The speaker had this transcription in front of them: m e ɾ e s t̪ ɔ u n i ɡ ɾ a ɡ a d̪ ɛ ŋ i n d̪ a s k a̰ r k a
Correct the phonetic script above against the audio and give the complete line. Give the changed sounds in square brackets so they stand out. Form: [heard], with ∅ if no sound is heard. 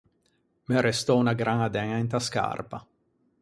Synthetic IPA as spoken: m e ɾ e s t̪ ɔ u n [a] ɡ ɾ a [ŋ] a d̪ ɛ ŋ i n [t̪] a s k a̰ r [p] a

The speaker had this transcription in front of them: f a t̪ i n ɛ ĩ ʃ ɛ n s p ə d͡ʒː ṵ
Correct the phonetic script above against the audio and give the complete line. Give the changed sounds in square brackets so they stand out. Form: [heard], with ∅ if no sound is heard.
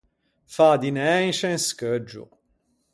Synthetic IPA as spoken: f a [d̪] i n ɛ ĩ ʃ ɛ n s [k] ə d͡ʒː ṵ

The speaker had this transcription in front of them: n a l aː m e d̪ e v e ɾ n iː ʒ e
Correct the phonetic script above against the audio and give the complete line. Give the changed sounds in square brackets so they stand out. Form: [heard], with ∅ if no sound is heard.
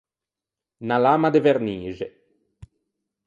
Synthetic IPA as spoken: n a l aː m [a] d̪ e v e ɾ n iː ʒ e

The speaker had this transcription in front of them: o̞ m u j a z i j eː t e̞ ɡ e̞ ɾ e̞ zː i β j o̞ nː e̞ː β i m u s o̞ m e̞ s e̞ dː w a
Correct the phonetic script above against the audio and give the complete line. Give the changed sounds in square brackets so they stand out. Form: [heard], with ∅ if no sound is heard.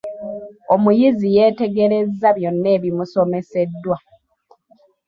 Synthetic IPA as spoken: o̞ m u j [i] z i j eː t e̞ ɡ e̞ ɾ e̞ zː [a] β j o̞ nː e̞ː β i m u s o̞ m e̞ s e̞ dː w a

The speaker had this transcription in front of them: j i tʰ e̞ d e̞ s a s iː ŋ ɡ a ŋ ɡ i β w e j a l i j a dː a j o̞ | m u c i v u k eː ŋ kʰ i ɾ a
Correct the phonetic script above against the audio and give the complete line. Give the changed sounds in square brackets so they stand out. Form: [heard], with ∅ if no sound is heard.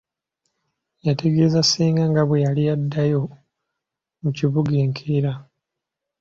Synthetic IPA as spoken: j [a] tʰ e̞ [ɡ] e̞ [z] a s iː ŋ ɡ a ŋ ɡ [a] β w e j a l i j a dː a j o̞ | m u c i [β] u [ɡ] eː ŋ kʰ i ɾ a

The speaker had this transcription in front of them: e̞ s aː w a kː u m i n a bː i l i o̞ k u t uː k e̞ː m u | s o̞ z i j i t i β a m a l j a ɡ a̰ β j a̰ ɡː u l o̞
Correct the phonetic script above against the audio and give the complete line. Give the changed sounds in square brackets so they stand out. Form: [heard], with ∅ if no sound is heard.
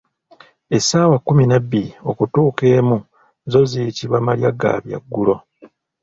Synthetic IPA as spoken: e̞ s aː w a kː u m i n a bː i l i o̞ k u t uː k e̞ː m u | [z] o̞ z i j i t i β a m a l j a ɡ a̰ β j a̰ ɡː u l o̞

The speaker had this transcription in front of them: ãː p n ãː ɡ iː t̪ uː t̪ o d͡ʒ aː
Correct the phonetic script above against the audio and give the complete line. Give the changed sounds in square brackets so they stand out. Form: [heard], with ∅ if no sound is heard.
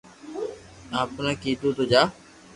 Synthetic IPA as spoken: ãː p n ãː [k] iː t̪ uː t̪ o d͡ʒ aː

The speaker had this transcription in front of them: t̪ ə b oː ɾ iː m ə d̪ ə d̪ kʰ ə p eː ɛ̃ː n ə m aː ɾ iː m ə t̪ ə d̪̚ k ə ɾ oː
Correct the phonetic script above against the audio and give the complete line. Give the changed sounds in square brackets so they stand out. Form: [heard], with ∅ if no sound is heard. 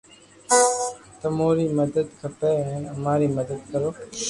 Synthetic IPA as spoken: t̪ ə [m] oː ɾ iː m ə d̪ ə d̪ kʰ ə p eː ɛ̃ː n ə m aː ɾ iː m ə [d̪] ə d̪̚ k ə ɾ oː

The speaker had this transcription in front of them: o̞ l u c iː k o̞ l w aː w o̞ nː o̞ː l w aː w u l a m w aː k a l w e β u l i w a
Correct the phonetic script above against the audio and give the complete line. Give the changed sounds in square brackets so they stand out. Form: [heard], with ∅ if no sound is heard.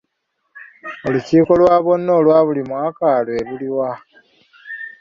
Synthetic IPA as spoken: o̞ l u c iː k o̞ l w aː [β] o̞ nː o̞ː l w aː [β] u l [i] m w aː k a l w e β u l i w a

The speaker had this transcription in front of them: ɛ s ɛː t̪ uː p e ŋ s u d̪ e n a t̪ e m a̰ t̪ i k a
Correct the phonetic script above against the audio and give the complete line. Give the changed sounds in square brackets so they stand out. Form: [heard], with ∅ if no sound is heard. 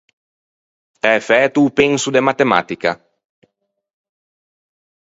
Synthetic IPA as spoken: ɛ [f] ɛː t̪ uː p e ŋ s u d̪ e [m] a t̪ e m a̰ t̪ i k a

